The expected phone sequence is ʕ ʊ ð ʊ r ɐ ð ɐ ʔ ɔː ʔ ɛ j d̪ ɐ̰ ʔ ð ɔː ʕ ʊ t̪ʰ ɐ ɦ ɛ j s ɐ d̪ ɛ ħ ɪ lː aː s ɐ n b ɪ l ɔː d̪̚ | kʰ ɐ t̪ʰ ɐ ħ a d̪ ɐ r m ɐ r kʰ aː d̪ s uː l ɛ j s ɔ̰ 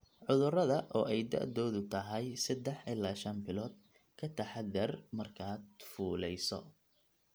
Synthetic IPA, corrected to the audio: ʕ ʊ ð ʊ r ɐ ð ɐ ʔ ɔː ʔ ɛ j d̪ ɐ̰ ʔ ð ɔː ð ʊ t̪ʰ ɐ ɦ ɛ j s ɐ d̪ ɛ ħ ɪ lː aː ʃ ɐ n b ɪ l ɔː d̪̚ | kʰ ɐ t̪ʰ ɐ ħ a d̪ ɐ r m ɐ r kʰ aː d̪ f uː l ɛ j s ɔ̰